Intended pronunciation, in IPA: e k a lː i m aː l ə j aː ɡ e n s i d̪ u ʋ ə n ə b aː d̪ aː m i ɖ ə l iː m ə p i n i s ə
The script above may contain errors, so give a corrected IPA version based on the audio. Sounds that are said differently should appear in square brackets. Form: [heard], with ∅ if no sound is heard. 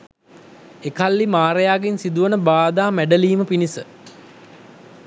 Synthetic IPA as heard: e k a lː i m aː [ɾ] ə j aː ɡ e n s i d̪ u ʋ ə n ə b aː d̪ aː m [æ] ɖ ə l iː m ə p i n i s ə